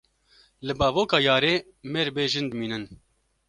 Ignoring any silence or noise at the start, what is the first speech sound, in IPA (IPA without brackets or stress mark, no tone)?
l